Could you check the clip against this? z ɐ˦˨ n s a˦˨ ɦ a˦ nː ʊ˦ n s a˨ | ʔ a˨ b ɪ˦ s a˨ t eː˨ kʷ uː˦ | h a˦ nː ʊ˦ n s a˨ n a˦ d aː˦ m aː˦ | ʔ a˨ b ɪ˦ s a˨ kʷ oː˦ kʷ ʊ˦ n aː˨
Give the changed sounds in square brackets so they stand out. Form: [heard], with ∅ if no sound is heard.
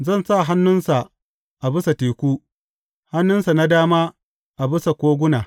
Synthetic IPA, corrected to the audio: z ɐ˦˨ n s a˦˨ ɦ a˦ nː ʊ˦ n s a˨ | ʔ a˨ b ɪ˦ s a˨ t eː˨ kʷ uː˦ | h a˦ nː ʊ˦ n s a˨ n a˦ d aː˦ m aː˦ | ʔ a˨ b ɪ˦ s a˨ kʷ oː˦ [ɡʷ] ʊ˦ n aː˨